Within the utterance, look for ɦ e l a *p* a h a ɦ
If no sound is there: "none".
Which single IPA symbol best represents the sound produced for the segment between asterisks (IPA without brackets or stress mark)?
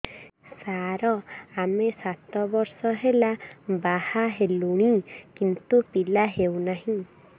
b